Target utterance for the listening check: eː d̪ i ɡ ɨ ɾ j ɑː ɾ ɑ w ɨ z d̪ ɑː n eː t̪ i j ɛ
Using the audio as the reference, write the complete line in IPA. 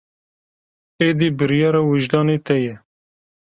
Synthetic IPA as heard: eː d̪ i b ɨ ɾ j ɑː ɾ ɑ w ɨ ʒ d̪ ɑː n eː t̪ ɛ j ɛ